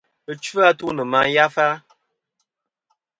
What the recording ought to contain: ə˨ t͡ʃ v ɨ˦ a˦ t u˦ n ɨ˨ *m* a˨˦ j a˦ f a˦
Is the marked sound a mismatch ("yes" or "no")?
no